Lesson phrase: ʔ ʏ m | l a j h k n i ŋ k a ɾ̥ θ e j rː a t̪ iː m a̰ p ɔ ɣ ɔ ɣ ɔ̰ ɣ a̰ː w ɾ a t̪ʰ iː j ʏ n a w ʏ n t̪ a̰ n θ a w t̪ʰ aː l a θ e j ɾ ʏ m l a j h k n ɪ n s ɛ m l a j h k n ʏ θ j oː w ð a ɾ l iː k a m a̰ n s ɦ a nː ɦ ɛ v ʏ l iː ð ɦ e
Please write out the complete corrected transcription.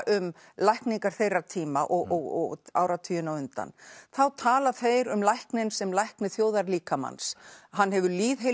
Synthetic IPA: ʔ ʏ m | l a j h k n i ŋ k a ɾ̥ θ e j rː a t̪ʰ iː m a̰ ʔ ɔ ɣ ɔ ɣ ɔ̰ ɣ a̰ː w ɾ a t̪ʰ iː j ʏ n a w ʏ n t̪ a̰ n θ a w t̪ʰ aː l a θ e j ɾ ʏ m l a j h k n ɪ n s ɛ m l a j h k n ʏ θ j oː w ð a ɾ l iː k a m a̰ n s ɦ a nː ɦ ɛ v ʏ l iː ð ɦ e